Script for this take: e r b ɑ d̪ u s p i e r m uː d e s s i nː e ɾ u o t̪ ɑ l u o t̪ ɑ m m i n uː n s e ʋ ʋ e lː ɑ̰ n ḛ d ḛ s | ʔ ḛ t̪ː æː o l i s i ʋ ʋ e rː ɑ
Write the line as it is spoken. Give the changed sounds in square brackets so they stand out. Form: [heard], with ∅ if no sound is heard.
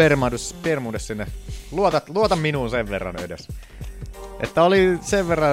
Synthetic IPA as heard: e r [m] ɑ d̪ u s p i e r m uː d e s s i nː e [l] u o t̪ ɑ l u o t̪ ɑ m m i n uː n s e ʋ ʋ e [rː] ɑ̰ n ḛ d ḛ s | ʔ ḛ t̪ː [æ] o l i s [e] ʋ ʋ e rː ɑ